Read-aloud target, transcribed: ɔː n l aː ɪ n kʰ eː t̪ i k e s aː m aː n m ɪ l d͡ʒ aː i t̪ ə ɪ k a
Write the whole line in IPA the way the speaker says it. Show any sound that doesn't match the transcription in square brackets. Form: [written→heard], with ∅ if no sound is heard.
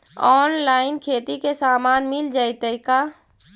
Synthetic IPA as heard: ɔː n l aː ɪ n kʰ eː t̪ i k e s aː m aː n m ɪ l d͡ʒ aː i t̪ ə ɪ k a